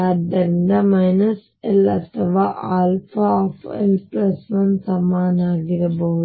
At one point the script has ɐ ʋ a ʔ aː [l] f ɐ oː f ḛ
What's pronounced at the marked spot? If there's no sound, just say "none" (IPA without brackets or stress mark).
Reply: l